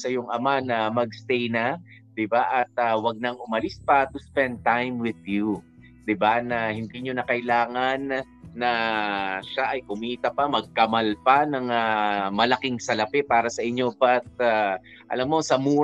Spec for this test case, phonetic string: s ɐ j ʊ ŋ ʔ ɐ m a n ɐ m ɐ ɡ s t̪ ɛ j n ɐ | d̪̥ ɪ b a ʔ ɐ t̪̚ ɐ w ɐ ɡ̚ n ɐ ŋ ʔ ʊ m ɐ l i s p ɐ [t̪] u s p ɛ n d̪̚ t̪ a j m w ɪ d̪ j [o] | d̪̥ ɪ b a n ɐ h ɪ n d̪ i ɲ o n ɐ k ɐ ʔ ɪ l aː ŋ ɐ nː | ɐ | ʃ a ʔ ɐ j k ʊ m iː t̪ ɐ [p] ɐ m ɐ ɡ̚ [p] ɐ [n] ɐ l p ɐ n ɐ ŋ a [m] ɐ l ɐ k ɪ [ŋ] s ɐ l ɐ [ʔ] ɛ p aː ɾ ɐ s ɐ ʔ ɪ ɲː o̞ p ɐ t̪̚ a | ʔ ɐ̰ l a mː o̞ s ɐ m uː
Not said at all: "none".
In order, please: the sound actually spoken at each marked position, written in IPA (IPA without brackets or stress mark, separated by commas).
t̪, u, p, k, m, m, ŋ, p